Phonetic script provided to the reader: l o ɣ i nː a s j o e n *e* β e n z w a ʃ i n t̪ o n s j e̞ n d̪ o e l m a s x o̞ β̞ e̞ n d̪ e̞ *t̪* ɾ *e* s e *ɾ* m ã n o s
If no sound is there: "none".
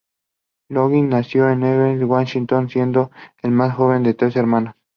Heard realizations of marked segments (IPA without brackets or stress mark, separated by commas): e, t̪, e, ɾ